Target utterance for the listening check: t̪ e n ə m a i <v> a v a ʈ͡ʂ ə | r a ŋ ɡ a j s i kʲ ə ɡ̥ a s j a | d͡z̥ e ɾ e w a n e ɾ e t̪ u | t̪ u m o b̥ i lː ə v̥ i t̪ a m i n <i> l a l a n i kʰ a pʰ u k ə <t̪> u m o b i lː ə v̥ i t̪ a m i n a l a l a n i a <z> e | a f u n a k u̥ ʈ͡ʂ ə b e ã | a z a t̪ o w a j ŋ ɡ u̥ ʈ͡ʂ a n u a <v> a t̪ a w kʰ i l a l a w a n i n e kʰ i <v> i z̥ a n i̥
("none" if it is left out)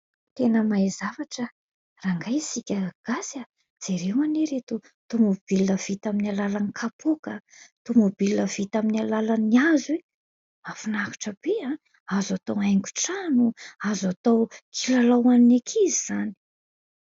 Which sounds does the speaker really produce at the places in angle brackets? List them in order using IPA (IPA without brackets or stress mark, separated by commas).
z, a, t̪, z, z, z